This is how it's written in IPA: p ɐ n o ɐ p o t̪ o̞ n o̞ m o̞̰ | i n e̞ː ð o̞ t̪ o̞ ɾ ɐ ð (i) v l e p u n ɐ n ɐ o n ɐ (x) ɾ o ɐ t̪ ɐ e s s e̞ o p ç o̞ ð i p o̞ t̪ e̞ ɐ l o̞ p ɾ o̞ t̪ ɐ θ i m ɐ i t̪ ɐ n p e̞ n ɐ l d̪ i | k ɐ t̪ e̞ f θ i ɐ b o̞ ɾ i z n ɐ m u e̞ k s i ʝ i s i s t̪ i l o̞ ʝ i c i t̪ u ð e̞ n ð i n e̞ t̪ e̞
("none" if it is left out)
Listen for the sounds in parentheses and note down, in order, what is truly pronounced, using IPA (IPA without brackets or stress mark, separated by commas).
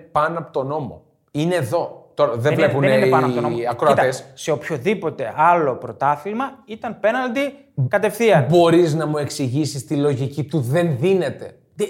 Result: e, k